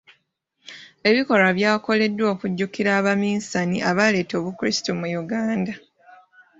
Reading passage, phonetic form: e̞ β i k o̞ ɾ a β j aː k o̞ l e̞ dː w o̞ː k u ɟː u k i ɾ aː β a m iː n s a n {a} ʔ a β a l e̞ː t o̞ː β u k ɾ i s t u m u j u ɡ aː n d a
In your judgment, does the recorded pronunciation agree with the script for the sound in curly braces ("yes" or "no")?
no